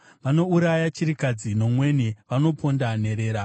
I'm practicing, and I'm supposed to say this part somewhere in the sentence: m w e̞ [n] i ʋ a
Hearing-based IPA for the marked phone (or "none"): n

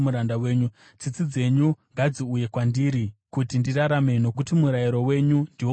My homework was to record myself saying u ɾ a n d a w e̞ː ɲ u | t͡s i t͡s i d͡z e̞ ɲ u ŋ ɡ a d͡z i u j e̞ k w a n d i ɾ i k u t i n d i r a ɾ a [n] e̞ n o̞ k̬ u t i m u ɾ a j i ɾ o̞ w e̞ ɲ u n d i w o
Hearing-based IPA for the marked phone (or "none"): m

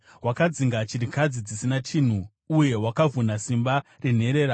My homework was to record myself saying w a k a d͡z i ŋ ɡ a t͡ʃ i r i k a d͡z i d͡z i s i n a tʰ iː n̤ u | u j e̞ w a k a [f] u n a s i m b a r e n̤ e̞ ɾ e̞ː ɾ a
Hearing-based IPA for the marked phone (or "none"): v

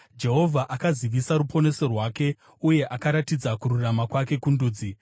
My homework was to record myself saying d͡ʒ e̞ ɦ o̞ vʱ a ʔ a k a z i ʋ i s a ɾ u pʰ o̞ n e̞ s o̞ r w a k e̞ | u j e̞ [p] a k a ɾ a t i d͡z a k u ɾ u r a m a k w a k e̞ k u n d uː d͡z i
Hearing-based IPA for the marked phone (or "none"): ʔ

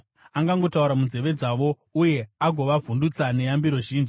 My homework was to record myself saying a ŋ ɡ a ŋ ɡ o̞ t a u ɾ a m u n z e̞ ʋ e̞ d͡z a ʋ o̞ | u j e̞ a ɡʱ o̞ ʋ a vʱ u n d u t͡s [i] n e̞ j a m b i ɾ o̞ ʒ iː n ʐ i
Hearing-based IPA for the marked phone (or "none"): a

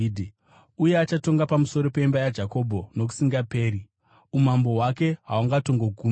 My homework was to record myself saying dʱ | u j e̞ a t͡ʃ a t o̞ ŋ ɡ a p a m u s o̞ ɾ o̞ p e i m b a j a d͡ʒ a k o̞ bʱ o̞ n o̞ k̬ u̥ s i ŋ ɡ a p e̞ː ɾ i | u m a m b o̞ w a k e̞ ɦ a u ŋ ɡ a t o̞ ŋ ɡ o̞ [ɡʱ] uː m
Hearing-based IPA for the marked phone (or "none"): ɡʱ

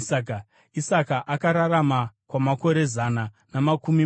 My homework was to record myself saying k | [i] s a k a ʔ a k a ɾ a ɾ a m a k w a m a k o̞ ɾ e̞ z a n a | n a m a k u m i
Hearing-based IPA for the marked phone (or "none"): i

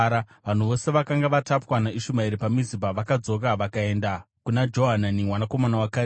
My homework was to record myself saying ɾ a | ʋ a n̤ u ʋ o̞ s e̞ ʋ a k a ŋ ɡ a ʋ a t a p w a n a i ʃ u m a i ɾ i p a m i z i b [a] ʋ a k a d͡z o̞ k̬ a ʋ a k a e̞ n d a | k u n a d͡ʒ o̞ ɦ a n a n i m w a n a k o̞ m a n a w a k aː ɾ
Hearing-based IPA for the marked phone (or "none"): a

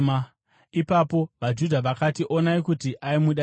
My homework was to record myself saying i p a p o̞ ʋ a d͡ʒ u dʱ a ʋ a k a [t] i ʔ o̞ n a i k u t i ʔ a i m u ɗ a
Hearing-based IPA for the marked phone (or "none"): t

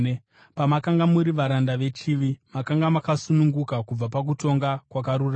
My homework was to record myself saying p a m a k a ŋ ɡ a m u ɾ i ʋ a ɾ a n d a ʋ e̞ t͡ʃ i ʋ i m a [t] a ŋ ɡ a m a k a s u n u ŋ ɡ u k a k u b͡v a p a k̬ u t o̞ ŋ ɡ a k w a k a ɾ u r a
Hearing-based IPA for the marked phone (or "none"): k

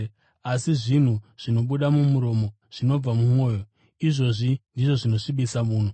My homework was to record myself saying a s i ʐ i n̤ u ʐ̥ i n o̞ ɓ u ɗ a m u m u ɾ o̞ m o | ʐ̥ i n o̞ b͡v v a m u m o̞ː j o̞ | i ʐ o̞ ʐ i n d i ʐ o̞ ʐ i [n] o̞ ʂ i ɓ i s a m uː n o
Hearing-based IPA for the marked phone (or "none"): n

